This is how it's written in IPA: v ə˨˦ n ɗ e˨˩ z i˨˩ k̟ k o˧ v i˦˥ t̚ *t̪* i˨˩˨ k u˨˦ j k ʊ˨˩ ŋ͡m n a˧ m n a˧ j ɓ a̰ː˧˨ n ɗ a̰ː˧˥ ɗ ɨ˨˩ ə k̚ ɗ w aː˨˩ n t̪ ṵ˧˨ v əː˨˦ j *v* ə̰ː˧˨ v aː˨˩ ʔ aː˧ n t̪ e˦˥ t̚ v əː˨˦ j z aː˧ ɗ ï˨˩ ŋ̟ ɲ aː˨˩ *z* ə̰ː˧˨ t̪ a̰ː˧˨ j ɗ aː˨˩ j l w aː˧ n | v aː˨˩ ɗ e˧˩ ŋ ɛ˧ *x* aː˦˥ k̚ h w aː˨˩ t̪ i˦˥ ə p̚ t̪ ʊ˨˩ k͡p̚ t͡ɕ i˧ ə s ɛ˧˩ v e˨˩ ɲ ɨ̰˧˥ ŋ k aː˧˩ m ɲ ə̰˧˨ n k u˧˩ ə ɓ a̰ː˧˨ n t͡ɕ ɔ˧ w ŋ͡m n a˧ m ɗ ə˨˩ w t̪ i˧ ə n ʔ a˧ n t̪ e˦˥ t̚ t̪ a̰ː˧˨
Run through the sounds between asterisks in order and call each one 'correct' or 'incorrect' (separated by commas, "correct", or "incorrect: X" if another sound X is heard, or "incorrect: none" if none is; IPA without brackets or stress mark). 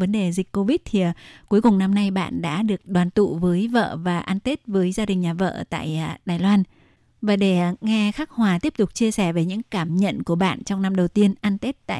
incorrect: t̪ʰ, correct, incorrect: v, correct